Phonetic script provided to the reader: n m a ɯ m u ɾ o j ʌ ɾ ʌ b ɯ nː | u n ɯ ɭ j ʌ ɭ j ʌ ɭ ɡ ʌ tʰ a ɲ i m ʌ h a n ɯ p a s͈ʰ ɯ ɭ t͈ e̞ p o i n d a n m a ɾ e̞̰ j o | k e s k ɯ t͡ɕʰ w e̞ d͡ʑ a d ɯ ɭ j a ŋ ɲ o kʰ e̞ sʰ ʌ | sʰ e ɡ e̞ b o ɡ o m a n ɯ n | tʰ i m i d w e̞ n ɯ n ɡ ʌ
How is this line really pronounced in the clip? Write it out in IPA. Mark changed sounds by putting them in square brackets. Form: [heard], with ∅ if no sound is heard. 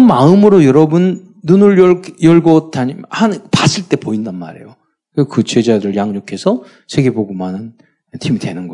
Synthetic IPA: n m a ɯ m [ɯ] ɾ o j ʌ ɾ ʌ b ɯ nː | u n ɯ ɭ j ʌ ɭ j ʌ ɭ ɡ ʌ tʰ a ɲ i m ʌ h a n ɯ p a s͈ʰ ɯ ɭ t͈ e̞ p o i n d a n m a ɾ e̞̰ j o | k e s k ɯ [t͡ɕ] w e̞ d͡ʑ a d ɯ ɭ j a ŋ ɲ o kʰ e̞ sʰ ʌ | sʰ e ɡ e̞ b o ɡ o m a n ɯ n | tʰ i m i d w e̞ n ɯ n ɡ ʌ